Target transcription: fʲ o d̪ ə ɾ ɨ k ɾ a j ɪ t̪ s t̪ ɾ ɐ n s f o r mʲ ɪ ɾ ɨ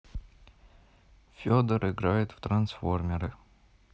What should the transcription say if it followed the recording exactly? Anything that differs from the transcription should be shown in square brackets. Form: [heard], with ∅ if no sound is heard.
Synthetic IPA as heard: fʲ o d̪ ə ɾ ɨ [ɡ] ɾ a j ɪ t̪ [f] t̪ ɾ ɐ n s f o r mʲ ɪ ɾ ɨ